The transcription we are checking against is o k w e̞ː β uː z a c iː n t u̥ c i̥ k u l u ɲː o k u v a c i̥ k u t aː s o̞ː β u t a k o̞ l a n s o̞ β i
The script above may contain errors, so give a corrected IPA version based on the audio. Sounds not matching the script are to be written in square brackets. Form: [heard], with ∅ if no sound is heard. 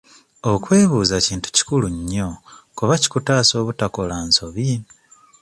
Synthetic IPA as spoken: o k w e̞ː β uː z a c iː n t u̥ c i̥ k u l u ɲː o k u [β] a c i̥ k u t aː s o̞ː β u t a k o̞ l a n s o̞ β i